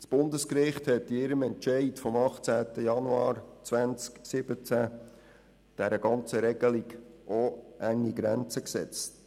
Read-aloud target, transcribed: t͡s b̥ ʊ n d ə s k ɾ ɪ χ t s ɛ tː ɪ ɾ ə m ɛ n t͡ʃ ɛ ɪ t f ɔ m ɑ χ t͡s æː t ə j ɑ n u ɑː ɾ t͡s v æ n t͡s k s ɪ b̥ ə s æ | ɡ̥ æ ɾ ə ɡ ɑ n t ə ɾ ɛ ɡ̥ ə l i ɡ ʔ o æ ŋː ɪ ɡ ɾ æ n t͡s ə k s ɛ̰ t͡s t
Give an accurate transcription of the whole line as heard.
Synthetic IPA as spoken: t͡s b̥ ʊ n d ə s k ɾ ɪ χ t h ɛ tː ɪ ɾ ə m ɛ n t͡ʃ ɛ ɪ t f ɔ m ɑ χ t͡s æː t ə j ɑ n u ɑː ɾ t͡s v æ n t͡s k s ɪ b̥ ə t͡s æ | d̥ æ ɾ ə ɡ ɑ n t͡s ə ɾ ɛ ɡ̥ ə l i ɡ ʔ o æ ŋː i ɡ ɾ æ n t͡s ə k s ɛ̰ t͡s t